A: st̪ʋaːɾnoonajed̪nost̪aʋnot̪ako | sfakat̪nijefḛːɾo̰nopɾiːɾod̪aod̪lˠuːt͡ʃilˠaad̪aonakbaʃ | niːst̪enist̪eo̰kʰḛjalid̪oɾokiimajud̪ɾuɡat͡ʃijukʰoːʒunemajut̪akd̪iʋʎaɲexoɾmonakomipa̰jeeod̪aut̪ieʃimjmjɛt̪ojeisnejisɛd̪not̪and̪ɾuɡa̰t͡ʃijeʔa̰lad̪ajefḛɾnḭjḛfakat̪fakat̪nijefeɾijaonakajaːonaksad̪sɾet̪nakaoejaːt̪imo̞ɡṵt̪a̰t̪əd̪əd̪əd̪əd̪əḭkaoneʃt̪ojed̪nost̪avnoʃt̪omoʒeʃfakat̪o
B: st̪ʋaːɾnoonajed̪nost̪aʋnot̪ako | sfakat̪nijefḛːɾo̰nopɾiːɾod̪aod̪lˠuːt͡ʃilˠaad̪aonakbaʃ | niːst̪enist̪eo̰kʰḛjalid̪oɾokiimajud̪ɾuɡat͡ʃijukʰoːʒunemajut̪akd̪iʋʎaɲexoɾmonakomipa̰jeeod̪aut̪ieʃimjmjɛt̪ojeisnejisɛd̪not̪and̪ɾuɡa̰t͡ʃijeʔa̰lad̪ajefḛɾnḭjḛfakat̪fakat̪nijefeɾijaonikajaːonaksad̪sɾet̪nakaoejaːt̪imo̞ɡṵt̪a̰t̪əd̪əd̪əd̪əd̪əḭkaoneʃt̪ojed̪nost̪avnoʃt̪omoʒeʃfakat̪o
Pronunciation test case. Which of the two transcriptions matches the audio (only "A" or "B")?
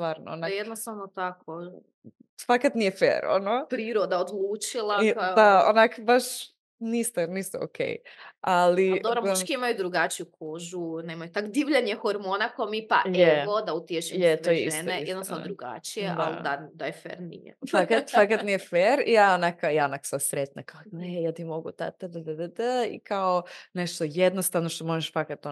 A